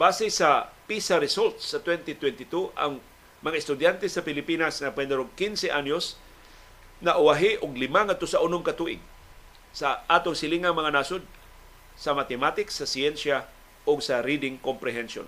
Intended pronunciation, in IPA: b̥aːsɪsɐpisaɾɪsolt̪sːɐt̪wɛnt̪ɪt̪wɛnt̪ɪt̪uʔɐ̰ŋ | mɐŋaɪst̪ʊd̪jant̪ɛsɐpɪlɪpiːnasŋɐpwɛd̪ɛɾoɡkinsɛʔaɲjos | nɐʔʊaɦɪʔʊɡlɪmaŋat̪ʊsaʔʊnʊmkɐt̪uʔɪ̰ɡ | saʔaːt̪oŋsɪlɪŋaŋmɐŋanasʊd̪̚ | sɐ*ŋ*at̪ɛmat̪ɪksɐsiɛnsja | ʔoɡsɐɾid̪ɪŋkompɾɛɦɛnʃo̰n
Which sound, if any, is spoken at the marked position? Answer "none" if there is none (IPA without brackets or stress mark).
m